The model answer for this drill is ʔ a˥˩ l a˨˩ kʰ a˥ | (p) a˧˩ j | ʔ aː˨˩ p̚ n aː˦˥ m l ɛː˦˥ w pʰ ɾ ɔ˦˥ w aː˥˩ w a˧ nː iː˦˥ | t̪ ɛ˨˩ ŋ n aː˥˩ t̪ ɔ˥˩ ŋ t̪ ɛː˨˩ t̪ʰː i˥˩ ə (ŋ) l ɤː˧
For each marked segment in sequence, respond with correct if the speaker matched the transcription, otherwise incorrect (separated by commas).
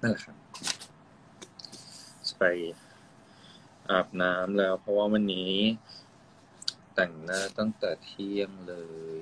correct, correct